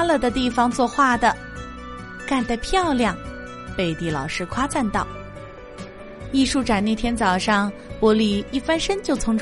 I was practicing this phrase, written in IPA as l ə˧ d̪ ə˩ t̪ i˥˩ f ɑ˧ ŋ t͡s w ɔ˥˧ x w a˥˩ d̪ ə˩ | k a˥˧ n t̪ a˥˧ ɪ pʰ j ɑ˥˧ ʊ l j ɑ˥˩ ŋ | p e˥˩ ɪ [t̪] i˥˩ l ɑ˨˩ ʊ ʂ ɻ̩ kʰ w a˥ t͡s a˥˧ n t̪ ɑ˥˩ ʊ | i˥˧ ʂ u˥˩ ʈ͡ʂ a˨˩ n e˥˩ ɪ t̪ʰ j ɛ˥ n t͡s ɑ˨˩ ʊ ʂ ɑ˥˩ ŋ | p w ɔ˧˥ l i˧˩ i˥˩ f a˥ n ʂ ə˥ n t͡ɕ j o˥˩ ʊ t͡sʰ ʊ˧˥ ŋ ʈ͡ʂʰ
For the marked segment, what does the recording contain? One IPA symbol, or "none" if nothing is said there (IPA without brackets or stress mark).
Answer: t̪